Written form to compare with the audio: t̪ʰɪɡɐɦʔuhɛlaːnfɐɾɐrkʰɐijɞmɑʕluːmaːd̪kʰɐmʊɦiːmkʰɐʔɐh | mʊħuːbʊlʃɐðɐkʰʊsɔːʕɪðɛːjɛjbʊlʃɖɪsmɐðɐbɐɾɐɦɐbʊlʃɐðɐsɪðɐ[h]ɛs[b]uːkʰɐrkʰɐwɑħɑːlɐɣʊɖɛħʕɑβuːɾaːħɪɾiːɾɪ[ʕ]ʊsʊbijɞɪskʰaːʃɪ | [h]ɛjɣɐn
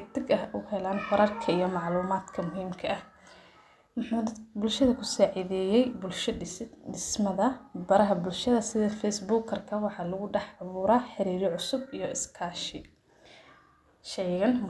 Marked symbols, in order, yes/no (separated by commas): no, yes, yes, no